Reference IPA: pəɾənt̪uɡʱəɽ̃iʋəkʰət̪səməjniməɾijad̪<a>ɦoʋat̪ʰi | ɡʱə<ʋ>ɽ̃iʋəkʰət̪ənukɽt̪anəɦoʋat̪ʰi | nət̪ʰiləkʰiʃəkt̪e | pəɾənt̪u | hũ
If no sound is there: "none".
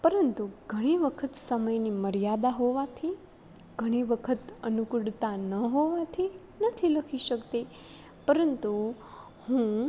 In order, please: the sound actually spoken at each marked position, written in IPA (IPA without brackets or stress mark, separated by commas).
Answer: a, none